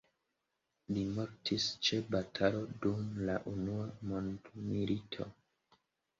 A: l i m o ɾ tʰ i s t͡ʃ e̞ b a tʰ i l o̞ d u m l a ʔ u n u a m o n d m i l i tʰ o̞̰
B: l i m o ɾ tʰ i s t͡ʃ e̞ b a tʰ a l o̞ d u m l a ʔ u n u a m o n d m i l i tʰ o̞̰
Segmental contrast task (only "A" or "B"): B